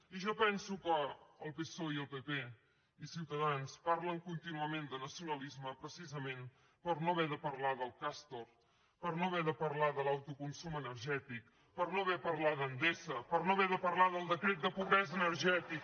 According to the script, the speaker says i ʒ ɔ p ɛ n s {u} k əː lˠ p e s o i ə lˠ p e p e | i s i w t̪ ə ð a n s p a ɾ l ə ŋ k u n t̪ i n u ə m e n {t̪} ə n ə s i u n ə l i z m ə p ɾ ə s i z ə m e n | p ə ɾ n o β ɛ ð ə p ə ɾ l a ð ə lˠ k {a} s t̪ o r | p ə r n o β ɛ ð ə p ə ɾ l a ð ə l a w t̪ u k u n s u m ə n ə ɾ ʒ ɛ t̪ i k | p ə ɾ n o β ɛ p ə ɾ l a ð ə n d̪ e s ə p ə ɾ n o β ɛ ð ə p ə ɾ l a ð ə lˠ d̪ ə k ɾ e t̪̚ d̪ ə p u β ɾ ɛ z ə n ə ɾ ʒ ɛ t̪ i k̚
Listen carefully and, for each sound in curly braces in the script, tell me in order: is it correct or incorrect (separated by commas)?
correct, incorrect, correct